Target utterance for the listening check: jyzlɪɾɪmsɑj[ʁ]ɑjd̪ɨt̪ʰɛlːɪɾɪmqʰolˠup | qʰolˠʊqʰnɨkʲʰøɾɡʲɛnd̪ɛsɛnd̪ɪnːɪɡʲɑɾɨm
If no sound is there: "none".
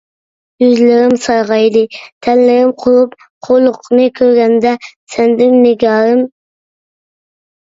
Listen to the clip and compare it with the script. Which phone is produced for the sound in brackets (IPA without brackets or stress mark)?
ʁ